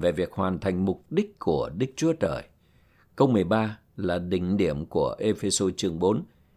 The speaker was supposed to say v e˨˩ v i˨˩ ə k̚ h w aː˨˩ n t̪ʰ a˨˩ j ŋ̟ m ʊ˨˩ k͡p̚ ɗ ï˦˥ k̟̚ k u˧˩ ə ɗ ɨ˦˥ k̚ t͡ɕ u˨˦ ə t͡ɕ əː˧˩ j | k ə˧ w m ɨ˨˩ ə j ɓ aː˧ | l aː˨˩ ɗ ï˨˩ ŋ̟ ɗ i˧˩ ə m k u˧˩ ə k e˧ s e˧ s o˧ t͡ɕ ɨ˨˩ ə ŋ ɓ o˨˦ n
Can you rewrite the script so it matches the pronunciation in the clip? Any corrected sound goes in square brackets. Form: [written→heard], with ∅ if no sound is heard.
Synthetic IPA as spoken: v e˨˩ v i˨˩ ə k̚ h w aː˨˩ n t̪ʰ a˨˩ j ŋ̟ m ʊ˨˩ k͡p̚ ɗ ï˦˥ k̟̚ k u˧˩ ə ɗ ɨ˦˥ k̚ t͡ɕ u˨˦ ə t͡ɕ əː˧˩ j | k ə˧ w m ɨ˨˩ ə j ɓ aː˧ | l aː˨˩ ɗ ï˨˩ ŋ̟ ɗ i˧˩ ə m k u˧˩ ə [k→ʔ] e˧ [s→f] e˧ s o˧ t͡ɕ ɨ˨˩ ə ŋ ɓ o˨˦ n